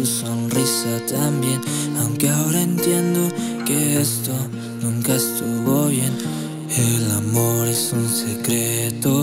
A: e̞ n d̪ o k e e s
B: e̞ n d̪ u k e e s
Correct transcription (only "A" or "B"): A